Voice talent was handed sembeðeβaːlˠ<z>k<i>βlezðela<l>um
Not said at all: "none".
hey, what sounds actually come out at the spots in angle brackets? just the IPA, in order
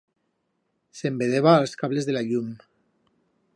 s, a, ʎ

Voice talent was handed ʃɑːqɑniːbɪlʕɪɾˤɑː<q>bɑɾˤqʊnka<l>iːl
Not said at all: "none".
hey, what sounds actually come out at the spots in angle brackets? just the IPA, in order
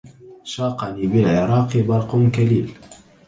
q, l

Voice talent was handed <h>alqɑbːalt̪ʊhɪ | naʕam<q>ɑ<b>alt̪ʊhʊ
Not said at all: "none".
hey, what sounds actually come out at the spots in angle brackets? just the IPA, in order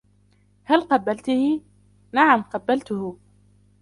h, q, bː

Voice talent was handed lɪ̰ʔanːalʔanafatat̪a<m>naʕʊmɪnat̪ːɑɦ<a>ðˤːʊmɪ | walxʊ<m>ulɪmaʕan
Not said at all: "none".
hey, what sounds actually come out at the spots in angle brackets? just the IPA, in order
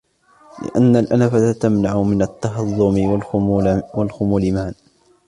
m, ɑ, m

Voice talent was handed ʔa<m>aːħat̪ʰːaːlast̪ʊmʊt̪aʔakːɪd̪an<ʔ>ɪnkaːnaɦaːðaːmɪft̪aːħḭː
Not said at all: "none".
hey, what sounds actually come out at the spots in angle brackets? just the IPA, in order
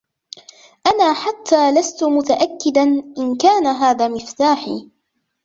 n, ʔ

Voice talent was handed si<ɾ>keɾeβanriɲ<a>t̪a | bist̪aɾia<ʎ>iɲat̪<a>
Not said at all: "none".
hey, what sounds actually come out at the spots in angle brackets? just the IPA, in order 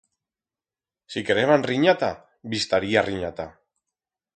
none, a, r, a

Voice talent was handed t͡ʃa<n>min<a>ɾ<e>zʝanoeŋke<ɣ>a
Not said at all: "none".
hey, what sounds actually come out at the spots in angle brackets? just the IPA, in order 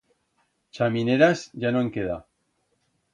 none, e, a, ð

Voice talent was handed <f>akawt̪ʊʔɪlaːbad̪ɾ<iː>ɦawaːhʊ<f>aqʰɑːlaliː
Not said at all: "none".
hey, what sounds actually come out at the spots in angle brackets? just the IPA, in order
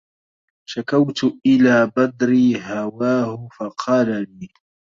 ʃ, iː, f

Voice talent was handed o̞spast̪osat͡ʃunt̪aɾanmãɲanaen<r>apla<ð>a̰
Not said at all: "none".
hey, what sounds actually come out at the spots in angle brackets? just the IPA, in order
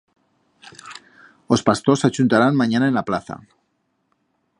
l, θ

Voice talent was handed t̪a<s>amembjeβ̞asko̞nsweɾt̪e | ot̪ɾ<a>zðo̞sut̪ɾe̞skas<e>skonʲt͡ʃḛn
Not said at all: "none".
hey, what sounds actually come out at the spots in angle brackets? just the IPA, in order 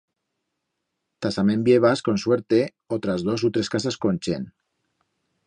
s, a, a

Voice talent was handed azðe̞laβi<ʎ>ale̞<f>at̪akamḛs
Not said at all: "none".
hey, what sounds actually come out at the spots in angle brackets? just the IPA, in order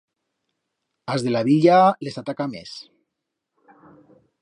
ʎ, s

